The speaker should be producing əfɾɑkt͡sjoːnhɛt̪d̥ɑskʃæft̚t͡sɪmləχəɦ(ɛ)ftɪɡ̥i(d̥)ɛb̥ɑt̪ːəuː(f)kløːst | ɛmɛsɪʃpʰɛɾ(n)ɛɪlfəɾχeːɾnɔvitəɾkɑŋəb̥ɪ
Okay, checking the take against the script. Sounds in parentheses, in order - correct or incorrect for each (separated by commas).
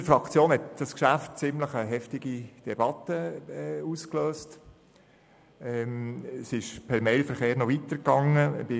correct, correct, incorrect, incorrect